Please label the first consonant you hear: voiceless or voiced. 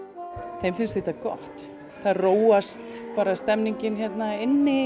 voiceless